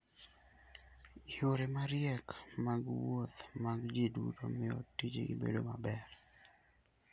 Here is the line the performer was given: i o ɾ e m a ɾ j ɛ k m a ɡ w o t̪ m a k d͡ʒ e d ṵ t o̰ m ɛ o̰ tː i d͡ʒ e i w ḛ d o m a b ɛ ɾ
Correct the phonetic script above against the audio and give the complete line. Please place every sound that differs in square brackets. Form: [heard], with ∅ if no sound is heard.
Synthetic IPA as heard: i o ɾ e m a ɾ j ɛ k m a ɡ w o t̪ m a [ɡ] d͡ʒ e d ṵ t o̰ m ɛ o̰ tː i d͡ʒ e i [b] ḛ d o m a b ɛ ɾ